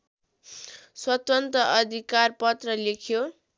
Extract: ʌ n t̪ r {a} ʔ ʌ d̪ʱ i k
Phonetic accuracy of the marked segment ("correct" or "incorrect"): incorrect